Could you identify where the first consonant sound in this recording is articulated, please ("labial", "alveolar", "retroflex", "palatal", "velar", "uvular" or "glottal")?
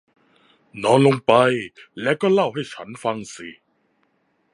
alveolar